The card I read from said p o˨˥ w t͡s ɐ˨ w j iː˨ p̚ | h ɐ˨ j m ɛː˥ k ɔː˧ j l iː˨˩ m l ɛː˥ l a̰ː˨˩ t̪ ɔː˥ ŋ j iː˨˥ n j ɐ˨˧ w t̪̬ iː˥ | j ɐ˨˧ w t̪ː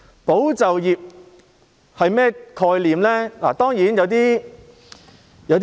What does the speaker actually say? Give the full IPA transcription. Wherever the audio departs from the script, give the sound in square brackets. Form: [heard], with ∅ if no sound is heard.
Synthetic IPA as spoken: p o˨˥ w t͡s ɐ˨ w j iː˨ p̚ | h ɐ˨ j m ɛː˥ [kʰ] ɔː˧ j l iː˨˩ m l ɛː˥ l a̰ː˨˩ t̪ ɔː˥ ŋ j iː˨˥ n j ɐ˨˧ w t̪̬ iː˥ | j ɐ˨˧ w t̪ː